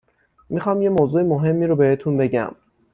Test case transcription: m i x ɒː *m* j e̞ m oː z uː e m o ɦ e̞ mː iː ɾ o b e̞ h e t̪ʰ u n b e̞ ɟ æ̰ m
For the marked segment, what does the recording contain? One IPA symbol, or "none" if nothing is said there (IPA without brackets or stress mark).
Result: m